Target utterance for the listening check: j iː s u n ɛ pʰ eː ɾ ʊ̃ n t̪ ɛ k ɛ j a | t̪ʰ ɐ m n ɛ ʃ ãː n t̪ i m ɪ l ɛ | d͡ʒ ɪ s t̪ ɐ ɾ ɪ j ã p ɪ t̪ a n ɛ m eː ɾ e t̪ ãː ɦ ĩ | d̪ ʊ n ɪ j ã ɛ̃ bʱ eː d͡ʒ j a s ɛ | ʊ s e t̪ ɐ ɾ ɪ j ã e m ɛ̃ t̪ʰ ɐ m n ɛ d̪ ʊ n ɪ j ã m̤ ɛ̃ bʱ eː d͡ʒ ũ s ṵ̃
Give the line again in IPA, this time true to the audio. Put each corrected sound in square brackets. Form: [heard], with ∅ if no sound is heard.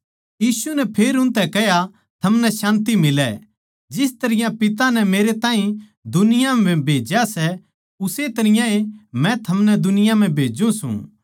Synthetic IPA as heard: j iː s u n ɛ pʰ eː ɾ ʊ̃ n t̪ ɛ k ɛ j a | t̪ʰ ɐ m n ɛ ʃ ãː n t̪ i m ɪ l ɛ | d͡ʒ ɪ s t̪ ɐ ɾ ɪ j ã p ɪ t̪ a n ɛ m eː ɾ e t̪ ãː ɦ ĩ | d̪ ʊ n ɪ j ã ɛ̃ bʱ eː d͡ʒ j a s ɛ | ʊ s e t̪ ɐ ɾ ɪ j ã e m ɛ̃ t̪ʰ ɐ m n ɛ d̪ ʊ n ɪ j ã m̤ ɛ̃ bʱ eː d͡ʒ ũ s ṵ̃